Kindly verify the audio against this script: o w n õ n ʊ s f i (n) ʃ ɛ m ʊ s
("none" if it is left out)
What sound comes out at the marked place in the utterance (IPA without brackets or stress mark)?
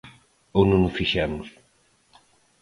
none